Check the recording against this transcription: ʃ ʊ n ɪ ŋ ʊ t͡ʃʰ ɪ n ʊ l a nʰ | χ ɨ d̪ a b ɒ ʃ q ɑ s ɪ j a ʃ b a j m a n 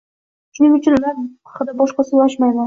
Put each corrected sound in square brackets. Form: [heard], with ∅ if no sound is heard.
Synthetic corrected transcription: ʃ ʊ n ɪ ŋ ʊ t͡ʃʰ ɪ n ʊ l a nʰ | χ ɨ d̪ a b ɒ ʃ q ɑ s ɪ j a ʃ [m] a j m a n